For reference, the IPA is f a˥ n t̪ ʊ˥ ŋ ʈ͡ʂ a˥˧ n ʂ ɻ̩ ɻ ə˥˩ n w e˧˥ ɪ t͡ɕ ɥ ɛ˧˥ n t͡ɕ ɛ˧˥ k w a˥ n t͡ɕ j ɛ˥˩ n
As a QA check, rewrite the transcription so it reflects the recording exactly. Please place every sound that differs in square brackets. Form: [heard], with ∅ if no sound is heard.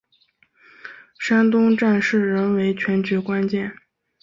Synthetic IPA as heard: [ʂ] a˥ n t̪ ʊ˥ ŋ ʈ͡ʂ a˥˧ n ʂ ɻ̩ ɻ [ə˧˥] n w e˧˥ ɪ [t͡ɕʰ] ɥ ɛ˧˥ n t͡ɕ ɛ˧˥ k w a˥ n t͡ɕ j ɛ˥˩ n